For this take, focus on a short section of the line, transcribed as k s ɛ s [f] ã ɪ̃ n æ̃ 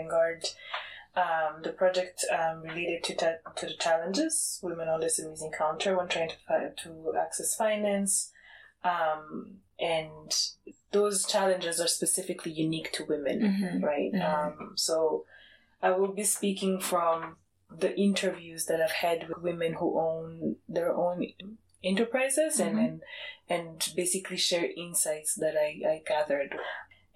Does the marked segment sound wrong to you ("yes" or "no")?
no